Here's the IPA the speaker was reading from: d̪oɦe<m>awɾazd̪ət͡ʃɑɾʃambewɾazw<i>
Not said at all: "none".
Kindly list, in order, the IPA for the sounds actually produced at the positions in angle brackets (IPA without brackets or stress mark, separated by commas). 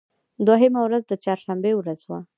m, a